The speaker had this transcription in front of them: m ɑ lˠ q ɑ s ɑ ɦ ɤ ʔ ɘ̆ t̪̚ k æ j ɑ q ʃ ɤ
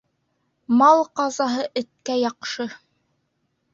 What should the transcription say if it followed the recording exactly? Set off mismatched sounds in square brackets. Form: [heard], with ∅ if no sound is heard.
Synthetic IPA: m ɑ lˠ q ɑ [z] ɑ ɦ ɤ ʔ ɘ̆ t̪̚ k æ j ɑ q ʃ ɤ

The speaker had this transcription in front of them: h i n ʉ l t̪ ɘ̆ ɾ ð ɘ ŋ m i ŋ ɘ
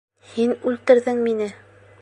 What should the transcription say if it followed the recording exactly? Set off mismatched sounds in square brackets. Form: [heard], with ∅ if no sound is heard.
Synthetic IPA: h i n ʉ l t̪ ɘ̆ ɾ ð ɘ ŋ m i [n] ɘ

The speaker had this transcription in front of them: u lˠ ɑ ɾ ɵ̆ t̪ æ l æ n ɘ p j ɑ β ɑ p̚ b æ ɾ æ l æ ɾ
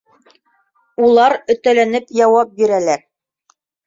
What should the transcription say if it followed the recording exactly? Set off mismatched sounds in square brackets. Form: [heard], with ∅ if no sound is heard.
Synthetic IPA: u lˠ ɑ ɾ ɵ̆ t̪ æ l æ n ɘ p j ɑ [w] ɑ p̚ b [i] ɾ æ l æ ɾ

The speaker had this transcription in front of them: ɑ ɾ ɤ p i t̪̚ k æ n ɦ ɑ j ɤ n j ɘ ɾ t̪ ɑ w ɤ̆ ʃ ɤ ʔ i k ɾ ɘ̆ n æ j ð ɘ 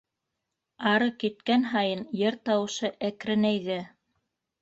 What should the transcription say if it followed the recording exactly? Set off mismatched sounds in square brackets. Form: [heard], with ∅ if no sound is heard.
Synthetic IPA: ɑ ɾ ɤ [k] i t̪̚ k æ n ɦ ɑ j ɤ n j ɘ ɾ t̪ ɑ w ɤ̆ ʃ ɤ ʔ [æ] k ɾ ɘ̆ n æ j ð ɘ

